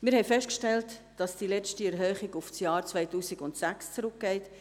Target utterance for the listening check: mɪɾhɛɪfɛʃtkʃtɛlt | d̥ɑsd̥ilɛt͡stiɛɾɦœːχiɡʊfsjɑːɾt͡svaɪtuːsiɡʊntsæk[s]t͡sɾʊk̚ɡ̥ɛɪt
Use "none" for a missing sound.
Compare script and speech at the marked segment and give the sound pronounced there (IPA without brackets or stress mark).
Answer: s